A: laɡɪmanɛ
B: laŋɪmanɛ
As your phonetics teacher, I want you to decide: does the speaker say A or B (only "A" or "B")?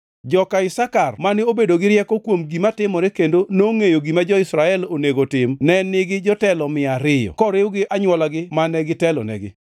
A